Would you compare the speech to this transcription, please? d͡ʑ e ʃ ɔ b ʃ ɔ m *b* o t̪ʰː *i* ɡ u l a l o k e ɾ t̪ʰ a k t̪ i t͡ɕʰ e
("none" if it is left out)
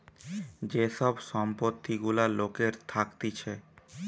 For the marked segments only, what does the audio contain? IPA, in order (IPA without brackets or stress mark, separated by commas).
p, i